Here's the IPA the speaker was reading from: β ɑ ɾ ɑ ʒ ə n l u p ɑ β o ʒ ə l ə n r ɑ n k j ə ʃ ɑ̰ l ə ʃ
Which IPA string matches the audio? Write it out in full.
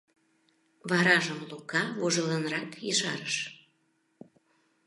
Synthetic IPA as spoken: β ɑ ɾ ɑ ʒ ə m l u k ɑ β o ʒ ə l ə n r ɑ k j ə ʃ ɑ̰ ɾ ə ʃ